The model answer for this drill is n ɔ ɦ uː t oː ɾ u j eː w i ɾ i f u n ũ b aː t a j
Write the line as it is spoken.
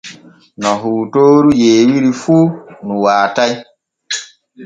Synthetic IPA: n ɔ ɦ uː t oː ɾ u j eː w i ɾ i f u n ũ w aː t a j